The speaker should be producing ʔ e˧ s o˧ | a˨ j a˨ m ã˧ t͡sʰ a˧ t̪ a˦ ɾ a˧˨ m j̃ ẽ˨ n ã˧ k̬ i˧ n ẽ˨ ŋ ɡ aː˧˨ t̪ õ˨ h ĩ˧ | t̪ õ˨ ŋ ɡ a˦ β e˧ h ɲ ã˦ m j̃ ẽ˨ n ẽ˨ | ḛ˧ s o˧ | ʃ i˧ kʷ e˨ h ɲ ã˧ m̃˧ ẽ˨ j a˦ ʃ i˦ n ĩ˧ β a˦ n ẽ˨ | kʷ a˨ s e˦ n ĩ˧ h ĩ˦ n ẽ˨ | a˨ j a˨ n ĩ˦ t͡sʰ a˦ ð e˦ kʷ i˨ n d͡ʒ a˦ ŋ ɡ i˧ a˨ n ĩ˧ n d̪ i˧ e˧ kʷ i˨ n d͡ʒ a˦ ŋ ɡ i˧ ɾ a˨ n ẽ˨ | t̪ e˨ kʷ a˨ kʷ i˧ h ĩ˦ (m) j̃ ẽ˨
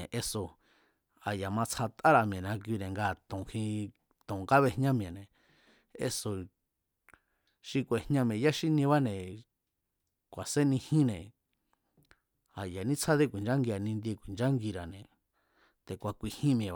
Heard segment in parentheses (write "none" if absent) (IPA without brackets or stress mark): m